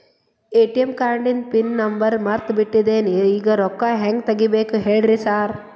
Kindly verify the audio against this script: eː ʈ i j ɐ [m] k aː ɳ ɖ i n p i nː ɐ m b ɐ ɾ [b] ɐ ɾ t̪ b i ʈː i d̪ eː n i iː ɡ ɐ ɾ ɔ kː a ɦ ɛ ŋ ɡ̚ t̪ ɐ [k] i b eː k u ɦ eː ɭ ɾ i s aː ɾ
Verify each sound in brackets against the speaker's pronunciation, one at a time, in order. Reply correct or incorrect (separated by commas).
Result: correct, incorrect, incorrect